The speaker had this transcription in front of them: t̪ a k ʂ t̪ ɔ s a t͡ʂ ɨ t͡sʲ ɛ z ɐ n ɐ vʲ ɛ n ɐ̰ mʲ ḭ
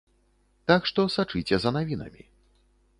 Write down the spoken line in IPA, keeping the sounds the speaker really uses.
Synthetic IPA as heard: t̪ a k ʂ t̪ ɔ s a t͡ʂ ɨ t͡sʲ ɛ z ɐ n a vʲ i n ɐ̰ mʲ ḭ

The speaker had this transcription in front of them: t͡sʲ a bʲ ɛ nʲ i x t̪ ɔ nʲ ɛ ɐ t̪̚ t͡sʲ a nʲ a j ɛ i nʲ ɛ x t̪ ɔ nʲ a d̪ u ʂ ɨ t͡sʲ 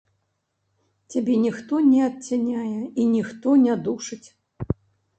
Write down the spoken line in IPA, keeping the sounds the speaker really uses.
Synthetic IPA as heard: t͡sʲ a bʲ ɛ nʲ i x t̪ ɔ nʲ ɛ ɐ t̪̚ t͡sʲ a nʲ a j ɛ i nʲ i x t̪ ɔ nʲ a d̪ u ʂ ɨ t͡sʲ

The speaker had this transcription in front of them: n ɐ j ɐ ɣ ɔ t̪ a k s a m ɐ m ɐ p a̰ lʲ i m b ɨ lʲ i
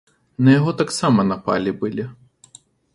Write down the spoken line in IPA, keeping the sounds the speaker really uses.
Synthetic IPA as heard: n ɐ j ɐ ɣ ɔ t̪ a k s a m ɐ n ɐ p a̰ lʲ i b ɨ lʲ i

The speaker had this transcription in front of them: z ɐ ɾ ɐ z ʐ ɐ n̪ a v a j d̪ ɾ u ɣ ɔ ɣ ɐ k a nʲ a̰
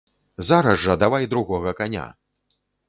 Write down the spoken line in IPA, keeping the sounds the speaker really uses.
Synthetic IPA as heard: z a ɾ ɐ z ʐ ɐ d̪ a v a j d̪ ɾ u ɣ ɔ ɣ ɐ k a nʲ a̰

